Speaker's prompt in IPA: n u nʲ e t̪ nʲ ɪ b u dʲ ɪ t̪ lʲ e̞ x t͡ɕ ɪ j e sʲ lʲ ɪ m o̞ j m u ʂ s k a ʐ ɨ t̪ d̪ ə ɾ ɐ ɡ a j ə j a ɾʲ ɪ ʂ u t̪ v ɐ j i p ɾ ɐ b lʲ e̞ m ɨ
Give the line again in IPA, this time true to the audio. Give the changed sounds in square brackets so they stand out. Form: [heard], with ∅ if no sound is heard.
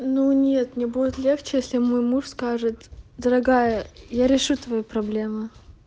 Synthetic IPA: n u nʲ e t̪ nʲ ɪ b u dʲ ɪ t̪ lʲ e̞ x t͡ɕ ɪ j e sʲ lʲ ɪ m o̞ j m u ʂ s k a ʐ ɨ t̪ d̪ ə ɾ ɐ ɡ a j ə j a ɾʲ ɪ ʂ u t̪ v ɐ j i p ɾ ɐ b lʲ e̞ m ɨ